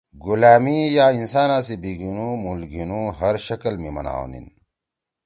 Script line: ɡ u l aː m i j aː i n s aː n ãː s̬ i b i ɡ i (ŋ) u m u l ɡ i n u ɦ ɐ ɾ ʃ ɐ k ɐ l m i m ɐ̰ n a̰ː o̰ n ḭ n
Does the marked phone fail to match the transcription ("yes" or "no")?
yes